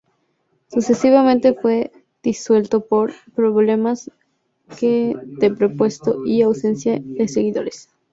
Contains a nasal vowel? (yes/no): yes